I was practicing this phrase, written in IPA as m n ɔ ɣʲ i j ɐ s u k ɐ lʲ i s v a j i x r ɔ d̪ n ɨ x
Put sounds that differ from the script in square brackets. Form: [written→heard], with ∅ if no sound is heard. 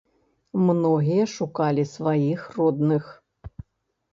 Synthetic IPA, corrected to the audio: m n ɔ ɣʲ i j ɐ [s→ʂ] u k [ɐ→a] lʲ i s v a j i x r ɔ d̪ n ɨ x